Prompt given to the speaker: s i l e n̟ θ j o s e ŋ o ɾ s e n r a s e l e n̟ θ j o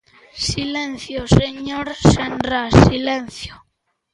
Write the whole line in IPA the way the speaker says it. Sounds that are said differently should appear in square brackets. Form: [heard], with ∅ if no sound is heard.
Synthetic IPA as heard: s i l e n̟ θ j o s e [ɲ] o ɾ s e n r a s [i] l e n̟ θ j o

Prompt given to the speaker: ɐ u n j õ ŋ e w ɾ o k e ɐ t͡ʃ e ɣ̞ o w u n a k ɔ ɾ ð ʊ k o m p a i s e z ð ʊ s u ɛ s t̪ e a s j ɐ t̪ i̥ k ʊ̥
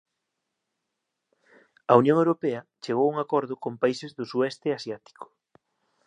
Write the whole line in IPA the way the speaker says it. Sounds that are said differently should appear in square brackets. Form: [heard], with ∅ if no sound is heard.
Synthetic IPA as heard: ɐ u n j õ ŋ e w ɾ o [p] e ɐ t͡ʃ e ɣ̞ o w u [ŋ] a k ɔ ɾ ð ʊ k o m p a i s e z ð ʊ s u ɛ s t̪ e a s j [a] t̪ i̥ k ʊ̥

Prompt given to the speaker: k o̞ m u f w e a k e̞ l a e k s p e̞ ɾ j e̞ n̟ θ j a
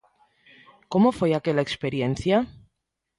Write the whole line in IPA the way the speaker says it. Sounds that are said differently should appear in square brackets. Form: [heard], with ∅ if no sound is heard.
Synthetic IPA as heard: k o̞ m [o] f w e a k e̞ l a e k s p e̞ ɾ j e̞ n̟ θ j a

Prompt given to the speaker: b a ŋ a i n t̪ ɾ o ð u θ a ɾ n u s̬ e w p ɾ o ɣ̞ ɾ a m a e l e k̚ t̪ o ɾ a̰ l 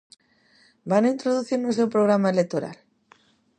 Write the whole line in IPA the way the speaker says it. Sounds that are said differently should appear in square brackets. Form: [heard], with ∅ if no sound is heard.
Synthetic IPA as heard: b a [n] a i n t̪ ɾ o ð u θ [i] ɾ n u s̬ e w p ɾ o ɣ̞ ɾ a m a e l e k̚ t̪ o ɾ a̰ l

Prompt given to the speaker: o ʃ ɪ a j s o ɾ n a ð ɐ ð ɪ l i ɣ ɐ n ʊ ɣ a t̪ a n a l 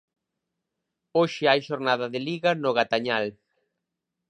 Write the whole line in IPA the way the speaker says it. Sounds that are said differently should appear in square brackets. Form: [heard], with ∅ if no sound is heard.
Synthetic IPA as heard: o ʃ ɪ a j [ʃ] o ɾ n a ð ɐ ð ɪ l i ɣ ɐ n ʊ ɣ a t̪ a [ɲ] a l

